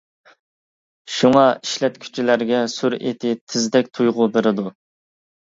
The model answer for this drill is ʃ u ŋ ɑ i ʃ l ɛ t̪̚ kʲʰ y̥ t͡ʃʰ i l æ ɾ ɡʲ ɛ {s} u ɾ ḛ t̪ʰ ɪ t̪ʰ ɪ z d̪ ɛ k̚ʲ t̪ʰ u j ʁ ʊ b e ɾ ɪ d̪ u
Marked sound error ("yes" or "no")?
no